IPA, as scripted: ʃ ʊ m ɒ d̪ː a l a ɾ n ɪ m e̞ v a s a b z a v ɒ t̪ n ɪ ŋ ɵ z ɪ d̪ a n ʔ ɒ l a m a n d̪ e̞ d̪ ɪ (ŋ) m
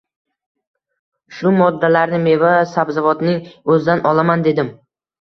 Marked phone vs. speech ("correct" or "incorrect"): incorrect